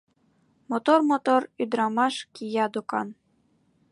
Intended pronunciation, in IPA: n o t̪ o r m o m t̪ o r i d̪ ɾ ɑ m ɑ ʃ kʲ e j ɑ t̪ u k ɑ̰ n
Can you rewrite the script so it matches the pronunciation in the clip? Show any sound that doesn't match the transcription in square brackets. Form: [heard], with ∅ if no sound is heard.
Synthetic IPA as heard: [m] o t̪ o r m o [∅] t̪ o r [y] d̪ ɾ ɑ m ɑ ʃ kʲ [i] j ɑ [d̪] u k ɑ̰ n

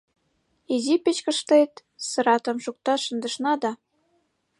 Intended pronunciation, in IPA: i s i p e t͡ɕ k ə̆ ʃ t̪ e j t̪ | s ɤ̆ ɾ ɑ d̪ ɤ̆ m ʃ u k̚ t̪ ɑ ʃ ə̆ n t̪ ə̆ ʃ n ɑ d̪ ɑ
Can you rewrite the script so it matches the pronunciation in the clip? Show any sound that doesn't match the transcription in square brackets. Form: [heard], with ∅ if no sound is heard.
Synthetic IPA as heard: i [z] i p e t͡ɕ k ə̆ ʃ t̪ e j t̪ | s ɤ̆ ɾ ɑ [t̪] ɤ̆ m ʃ u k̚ t̪ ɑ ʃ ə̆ n [d̪] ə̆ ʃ n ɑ d̪ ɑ

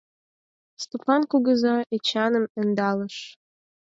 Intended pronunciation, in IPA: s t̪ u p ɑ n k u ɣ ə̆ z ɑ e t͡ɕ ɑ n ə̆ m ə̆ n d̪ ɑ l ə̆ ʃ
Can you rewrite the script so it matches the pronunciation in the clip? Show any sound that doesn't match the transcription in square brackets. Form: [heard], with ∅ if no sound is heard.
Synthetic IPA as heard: s t̪ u p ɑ n k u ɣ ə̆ z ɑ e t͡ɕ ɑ n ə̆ m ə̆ n d̪ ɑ l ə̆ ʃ

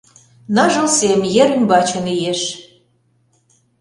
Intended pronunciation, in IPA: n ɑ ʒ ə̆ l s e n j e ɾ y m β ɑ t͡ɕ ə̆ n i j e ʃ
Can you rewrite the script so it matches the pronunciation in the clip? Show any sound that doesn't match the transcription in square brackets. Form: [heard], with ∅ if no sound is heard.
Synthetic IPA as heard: n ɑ ʒ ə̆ l s e [m] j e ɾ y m [b] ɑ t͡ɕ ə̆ n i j e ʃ

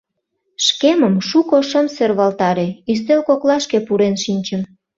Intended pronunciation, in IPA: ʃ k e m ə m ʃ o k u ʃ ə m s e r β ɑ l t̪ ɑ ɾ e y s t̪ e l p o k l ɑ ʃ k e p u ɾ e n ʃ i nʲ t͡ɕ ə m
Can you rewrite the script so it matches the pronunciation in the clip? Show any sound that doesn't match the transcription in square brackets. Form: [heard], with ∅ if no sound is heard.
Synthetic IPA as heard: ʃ k e m ə m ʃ [u] k [o] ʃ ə m s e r β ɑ l t̪ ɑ ɾ e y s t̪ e l [k] o k l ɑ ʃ k e p u ɾ e n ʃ i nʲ t͡ɕ ə m

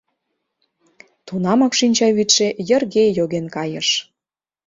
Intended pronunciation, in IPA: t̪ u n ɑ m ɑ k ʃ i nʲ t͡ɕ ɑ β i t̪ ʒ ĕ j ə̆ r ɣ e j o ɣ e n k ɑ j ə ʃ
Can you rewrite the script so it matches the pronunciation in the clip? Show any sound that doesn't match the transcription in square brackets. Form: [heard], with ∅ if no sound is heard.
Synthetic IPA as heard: t̪ u n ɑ m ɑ k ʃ i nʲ t͡ɕ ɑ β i t̪ [ʃ] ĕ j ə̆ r ɣ e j o ɣ e n k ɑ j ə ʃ

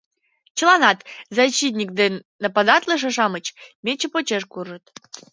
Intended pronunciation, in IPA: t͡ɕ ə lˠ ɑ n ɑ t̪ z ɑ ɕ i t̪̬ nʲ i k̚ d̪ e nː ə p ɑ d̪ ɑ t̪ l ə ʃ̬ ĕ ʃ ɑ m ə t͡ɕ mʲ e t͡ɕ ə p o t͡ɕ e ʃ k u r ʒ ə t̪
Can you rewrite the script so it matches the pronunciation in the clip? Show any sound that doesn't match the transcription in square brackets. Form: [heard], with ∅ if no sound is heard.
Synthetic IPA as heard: t͡ɕ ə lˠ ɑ n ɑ t̪ z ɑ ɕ i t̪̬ nʲ i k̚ d̪ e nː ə p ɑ d̪ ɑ t̪ l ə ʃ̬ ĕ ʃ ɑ m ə t͡ɕ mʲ e t͡ɕ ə p o t͡ɕ e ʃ k u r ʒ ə t̪

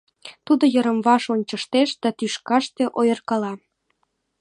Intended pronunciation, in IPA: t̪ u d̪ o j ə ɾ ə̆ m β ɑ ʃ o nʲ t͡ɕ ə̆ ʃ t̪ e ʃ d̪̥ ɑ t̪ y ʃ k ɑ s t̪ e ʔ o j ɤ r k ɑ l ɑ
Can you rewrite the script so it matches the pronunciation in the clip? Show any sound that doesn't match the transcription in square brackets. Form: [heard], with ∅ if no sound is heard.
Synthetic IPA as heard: t̪ u d̪ o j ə ɾ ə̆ m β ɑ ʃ o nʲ t͡ɕ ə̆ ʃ t̪ e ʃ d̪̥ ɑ t̪ y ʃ k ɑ [ʃ] t̪ e ʔ o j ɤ r k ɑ l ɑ

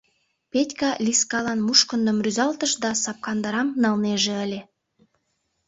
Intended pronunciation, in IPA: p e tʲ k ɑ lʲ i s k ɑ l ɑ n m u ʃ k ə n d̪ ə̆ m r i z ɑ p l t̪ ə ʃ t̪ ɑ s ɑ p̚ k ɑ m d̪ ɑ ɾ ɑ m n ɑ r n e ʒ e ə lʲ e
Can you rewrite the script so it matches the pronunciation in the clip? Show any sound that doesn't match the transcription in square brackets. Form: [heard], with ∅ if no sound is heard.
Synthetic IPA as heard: p e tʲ k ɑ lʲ i s k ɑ l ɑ n m u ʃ k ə n d̪ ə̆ m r [y] z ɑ [∅] l t̪ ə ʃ [d̪] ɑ s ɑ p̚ k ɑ [n] d̪ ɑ ɾ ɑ m n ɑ [l] n e ʒ e ə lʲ e

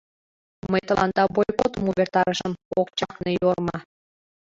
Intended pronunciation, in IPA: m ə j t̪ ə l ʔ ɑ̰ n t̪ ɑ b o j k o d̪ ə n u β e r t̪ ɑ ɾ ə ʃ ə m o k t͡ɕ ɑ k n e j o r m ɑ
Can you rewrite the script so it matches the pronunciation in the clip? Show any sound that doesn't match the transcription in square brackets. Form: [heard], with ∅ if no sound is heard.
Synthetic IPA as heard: m ə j t̪ ə l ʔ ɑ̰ n [d̪] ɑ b o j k o [t̪] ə [m] u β e r t̪ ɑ ɾ ə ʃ ə m o k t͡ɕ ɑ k n e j o r m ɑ

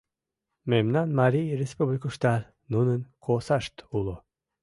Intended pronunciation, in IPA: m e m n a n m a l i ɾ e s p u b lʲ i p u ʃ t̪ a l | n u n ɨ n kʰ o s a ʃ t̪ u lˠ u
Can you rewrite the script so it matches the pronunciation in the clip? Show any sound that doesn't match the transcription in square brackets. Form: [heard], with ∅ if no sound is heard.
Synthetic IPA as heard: m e m n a n m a [ɾ] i ɾ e s p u b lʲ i [k] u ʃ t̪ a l | n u n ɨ n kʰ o s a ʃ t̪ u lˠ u

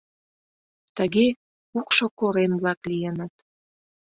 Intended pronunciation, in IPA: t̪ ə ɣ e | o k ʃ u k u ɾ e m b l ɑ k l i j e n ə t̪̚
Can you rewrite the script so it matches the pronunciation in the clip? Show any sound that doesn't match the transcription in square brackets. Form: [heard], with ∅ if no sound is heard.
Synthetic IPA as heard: t̪ ə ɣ e | [u] k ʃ [o] k [o] ɾ e m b l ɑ k l i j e n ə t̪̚

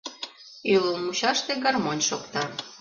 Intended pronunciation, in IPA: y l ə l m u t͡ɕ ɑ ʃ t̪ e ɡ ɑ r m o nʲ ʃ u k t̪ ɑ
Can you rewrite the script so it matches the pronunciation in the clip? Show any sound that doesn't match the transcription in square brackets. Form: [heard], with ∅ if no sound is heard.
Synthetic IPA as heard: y l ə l m u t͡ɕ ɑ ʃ t̪ e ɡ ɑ r m o nʲ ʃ [o] k t̪ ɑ

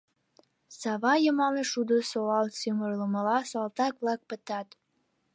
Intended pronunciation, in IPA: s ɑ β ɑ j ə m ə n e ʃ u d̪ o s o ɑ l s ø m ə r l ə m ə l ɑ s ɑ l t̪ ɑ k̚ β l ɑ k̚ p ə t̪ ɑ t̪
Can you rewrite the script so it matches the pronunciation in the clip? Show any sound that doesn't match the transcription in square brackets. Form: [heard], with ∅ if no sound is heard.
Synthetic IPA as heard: s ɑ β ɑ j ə m [ɑ] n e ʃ u d̪ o s o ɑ l s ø m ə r l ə m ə l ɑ s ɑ l t̪ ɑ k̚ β l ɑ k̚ p ə t̪ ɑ t̪

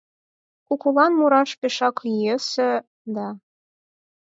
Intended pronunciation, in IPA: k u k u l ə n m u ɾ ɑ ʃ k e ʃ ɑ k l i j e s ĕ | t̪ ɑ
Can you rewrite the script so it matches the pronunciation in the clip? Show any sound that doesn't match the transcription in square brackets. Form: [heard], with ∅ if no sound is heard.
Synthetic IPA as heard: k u k u l [ɑ] n m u ɾ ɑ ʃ [p] e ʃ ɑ k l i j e s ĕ | [d̪] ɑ

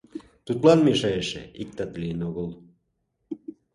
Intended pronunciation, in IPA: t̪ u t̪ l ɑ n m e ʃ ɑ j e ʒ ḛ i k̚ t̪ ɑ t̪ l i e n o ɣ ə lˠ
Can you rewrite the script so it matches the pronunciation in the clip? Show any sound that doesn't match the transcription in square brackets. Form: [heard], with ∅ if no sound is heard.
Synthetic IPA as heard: t̪ u t̪ l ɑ n m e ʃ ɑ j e [ʃ] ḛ i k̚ t̪ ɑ t̪ l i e n o ɣ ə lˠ

